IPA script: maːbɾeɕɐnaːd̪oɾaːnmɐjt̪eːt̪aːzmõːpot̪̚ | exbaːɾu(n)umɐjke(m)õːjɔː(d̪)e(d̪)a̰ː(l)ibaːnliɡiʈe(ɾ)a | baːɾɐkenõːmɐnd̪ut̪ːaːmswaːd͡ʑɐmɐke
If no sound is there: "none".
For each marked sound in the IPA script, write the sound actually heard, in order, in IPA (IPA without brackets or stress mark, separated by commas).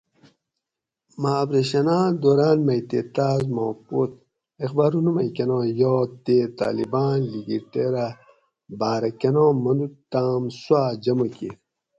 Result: n, n, t̪, t̪, l, ɾ